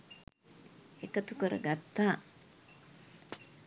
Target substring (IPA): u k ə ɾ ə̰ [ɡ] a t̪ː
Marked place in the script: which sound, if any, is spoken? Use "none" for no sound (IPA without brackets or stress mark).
ɡ